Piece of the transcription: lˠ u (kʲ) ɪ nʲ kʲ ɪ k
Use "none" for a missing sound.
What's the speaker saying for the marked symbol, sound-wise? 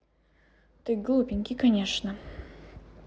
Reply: pʲ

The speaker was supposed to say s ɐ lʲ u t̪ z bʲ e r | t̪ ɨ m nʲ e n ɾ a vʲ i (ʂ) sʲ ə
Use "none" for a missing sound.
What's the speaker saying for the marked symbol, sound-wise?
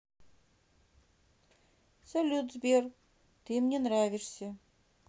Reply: ʂ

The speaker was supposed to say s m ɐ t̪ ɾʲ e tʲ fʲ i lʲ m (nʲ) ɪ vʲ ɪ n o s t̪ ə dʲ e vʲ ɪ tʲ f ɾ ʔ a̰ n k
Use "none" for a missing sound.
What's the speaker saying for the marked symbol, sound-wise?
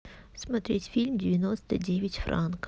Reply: dʲ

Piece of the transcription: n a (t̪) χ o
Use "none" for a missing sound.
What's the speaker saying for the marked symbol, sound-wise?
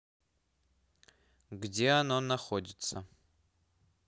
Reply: none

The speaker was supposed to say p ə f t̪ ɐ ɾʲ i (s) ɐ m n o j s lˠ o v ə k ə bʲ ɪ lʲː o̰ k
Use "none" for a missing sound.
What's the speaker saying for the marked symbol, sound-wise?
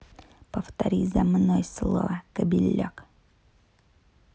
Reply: z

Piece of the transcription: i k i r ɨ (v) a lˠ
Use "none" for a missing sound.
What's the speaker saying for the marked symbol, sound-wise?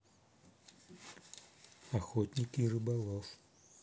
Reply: b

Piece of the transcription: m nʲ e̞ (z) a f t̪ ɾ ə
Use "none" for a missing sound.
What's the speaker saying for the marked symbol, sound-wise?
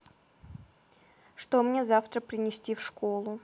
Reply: z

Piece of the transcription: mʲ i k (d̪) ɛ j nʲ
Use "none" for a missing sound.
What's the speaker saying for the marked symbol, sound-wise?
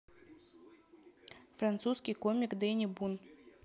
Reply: d̪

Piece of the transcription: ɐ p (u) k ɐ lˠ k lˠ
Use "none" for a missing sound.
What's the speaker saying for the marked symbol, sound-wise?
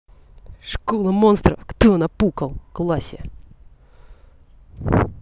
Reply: u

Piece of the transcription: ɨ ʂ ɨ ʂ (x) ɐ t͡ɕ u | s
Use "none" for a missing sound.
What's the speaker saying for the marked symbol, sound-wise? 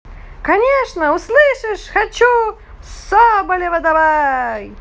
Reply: x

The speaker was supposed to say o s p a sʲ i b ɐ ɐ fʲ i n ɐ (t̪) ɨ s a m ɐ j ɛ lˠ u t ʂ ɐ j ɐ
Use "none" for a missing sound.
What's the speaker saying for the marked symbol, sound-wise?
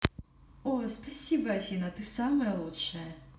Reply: t̪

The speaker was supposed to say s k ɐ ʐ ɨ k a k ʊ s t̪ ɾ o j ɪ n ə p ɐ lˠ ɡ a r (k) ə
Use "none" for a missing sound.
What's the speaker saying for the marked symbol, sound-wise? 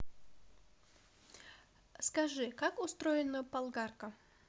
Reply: k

